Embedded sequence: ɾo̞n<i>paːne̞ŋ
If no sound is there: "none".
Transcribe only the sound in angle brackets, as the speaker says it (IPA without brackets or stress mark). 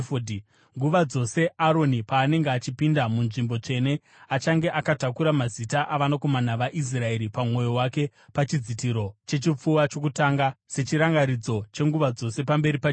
i